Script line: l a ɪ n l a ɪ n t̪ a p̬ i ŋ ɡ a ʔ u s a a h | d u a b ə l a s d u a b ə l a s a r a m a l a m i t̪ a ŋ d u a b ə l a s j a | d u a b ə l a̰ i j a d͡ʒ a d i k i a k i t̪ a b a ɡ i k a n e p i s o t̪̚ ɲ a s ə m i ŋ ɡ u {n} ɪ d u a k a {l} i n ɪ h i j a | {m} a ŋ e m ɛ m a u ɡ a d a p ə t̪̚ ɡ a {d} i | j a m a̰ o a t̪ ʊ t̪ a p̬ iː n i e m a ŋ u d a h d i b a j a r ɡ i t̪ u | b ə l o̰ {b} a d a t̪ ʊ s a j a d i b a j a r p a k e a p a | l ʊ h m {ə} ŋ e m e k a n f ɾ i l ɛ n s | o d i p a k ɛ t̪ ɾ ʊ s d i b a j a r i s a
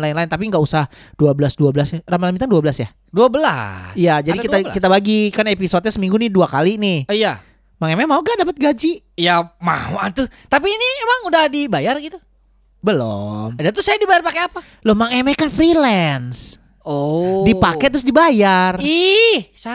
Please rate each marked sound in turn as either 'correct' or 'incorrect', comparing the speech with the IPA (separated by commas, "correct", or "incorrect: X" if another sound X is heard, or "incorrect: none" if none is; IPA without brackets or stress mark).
correct, correct, correct, incorrect: d͡ʒ, incorrect: m, incorrect: a